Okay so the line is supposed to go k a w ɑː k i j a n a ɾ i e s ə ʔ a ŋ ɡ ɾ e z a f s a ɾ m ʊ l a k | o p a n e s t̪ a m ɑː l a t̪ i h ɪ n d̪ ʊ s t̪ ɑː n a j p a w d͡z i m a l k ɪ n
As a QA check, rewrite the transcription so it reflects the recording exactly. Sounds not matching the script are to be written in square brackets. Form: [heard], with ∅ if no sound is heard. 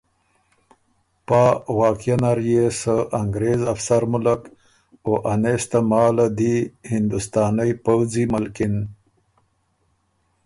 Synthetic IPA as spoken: [p] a w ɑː k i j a n a ɾ [j] e s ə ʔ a ŋ ɡ ɾ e z a f s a ɾ m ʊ l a k | o [ʔ] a n e s t̪ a m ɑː l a [d̪] i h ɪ n d̪ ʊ s t̪ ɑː n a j p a w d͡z i m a l k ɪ n